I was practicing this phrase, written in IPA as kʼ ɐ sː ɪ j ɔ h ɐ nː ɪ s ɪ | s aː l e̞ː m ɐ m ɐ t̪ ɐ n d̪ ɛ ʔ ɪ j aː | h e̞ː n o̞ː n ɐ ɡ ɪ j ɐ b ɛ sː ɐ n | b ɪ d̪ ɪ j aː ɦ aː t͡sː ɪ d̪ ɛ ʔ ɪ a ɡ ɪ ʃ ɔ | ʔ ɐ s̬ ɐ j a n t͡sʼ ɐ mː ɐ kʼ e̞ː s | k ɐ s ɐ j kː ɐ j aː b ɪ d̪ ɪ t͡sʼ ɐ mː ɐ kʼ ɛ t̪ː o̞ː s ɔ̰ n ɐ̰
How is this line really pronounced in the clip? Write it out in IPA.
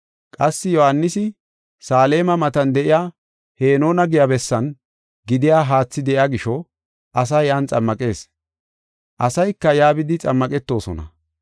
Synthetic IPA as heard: kʼ ɐ sː ɪ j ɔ h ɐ nː ɪ s ɪ | s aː l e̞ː m ɐ m ɐ t̪ ɐ n d̪ ɛ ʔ ɪ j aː | h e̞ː n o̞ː n ɐ ɡ ɪ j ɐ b ɛ sː ɐ n | ɡ ɪ d̪ ɪ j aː ɦ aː t͡sː ɪ d̪ ɛ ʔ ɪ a ɡ ɪ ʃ ɔ | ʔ ɐ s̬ ɐ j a n t͡sʼ ɐ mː ɐ kʼ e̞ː s | ʔ ɐ s ɐ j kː ɐ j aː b ɪ d̪ ɪ t͡sʼ ɐ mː ɐ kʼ ɛ t̪ː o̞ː s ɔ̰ n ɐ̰

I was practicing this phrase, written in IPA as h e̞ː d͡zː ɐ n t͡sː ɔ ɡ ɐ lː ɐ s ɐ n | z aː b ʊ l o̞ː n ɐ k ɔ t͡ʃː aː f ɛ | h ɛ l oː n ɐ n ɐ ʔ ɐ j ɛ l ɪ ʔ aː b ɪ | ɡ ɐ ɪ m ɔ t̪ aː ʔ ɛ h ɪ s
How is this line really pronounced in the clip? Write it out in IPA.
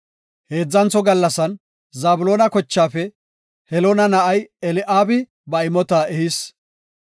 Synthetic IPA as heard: h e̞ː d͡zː ɐ n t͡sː ɔ ɡ ɐ lː ɐ s ɐ n | z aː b ʊ l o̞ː n ɐ k ɔ t͡ʃː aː f ɛ | h ɛ l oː n ɐ n ɐ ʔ ɐ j ɛ l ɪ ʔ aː b ɪ | b ɐ ɪ m ɔ t̪ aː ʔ ɛ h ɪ s

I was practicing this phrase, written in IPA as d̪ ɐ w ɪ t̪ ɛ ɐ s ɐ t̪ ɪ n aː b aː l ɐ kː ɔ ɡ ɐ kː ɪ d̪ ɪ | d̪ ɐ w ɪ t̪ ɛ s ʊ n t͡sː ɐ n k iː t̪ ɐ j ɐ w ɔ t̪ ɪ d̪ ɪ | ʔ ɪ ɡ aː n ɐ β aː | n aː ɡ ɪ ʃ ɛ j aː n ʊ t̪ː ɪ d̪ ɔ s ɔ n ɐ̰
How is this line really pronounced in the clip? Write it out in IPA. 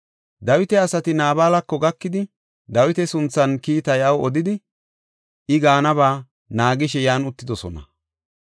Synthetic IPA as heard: d̪ ɐ w ɪ t̪ ɛ ɐ s ɐ t̪ ɪ n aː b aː l ɐ kː ɔ ɡ ɐ kː ɪ d̪ ɪ | d̪ ɐ w ɪ t̪ ɛ s ʊ n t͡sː ɐ n k iː t̪ ɐ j ɐ w ɔ d̪ ɪ d̪ ɪ | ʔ ɪ ɡ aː n ɐ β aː | n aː ɡ ɪ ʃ ɛ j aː n ʊ t̪ː ɪ d̪ ɔ s ɔ n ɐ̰

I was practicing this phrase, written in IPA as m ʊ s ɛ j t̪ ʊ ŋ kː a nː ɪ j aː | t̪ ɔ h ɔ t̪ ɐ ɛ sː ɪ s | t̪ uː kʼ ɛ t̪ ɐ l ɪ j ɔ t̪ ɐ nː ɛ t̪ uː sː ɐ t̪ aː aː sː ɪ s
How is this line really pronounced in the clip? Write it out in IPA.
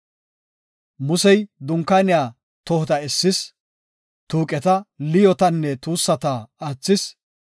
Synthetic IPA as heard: m ʊ s ɛ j d̪ ʊ ŋ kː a n ɪ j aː | t̪ ɔ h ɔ t̪ ɐ ɛ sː ɪ s | t̪ uː kʼ ɛ t̪ ɐ l ɪ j ɔ t̪ ɐ nː ɛ t̪ uː sː ɐ t̪ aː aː t͡sː ɪ s

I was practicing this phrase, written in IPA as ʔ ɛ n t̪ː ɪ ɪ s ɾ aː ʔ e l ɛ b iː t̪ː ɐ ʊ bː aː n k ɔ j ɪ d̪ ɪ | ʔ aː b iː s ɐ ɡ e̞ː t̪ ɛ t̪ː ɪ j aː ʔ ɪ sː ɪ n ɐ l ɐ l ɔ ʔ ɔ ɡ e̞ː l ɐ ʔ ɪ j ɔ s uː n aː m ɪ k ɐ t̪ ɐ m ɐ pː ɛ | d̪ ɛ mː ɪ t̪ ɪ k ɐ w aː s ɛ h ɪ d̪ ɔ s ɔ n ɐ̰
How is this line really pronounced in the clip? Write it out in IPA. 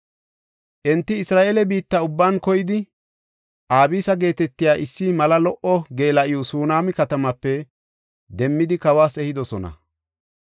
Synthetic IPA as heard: ʔ ɛ n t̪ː ɪ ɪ s ɾ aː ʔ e l ɛ b iː t̪ː ɐ ʊ bː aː n k ɔ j ɪ d̪ ɪ | ʔ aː b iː s ɐ ɡ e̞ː t̪ ɛ t̪ː ɪ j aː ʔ ɪ sː ɪ m ɐ l ɐ l ɔ ʔ ɔ ɡ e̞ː l ɐ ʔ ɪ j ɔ s uː n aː m ɪ k ɐ t̪ ɐ m ɐ pː ɛ | d̪ ɛ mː ɪ d̪ ɪ k ɐ w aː s ɛ h ɪ d̪ ɔ s ɔ n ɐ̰

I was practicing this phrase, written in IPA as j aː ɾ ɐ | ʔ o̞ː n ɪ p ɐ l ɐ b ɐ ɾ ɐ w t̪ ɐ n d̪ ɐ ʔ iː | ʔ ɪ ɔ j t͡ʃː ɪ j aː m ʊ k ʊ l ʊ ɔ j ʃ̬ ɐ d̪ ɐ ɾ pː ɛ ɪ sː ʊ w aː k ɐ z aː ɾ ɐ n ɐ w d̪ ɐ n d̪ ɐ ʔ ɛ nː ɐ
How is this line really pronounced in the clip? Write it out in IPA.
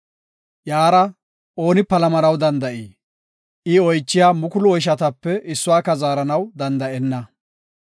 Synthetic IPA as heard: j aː ɾ ɐ | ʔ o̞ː n ɪ p ɐ l ɐ m ɐ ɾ ɐ w d̪ ɐ n d̪ ɐ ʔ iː | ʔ ɪ ɔ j t͡ʃː ɪ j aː m ʊ k ʊ l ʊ ɔ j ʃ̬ ɐ t̪ ɐ pː ɛ ɪ sː ʊ w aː k ɐ z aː ɾ ɐ n ɐ w d̪ ɐ n d̪ ɐ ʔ ɛ nː ɐ

